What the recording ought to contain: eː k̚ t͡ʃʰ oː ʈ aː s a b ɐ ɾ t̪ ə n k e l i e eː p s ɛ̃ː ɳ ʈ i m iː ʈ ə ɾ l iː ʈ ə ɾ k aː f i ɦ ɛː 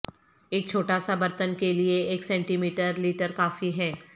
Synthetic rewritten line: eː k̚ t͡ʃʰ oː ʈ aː s a b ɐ ɾ t̪ ə n k e l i e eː k s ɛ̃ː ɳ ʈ i m iː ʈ ə ɾ l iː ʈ ə ɾ k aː f i ɦ ɛː